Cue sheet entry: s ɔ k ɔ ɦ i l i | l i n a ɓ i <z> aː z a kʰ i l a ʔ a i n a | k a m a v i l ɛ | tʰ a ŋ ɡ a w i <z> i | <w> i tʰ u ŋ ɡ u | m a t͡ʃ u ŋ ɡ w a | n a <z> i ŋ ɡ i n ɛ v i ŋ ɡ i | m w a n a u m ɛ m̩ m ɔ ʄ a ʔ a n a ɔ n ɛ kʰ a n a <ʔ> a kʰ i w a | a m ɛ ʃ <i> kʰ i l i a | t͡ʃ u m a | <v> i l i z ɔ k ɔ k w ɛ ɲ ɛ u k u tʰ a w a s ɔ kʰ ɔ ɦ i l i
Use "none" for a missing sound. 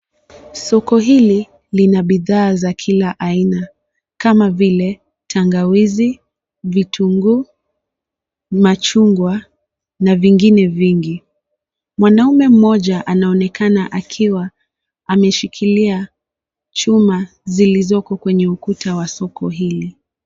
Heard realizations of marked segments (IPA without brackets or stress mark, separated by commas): ð, z, v, v, ʔ, i, z